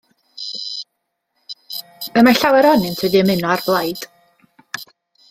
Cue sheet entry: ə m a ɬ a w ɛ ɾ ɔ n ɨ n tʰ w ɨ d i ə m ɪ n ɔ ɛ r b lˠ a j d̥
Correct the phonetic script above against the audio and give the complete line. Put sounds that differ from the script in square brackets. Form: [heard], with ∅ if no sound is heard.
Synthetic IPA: ə m a ɬ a w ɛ ɾ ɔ n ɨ n tʰ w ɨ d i ə m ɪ n ɔ [a] r b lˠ a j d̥